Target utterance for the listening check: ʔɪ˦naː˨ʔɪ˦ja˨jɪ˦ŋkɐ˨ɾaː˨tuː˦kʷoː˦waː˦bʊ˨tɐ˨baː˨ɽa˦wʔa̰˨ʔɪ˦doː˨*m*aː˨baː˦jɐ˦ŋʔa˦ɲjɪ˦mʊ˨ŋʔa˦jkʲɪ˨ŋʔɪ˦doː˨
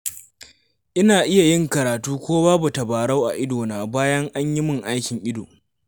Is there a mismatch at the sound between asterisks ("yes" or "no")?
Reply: yes